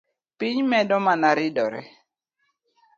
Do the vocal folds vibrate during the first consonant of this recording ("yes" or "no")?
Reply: no